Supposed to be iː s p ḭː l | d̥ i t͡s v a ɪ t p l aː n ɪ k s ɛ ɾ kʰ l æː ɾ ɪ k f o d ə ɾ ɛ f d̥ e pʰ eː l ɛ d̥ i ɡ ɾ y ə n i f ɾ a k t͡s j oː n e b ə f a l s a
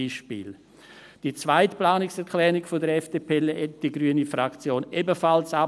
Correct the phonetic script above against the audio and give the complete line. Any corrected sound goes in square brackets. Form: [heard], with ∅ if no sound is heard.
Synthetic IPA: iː [ʃ] p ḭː l | d̥ i t͡s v a ɪ t p l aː n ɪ k s ɛ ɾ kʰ l [ɛː] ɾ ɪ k f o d ə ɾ ɛ f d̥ e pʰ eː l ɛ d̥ i ɡ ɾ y ə n i f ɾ a k t͡s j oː n e b ə f a l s a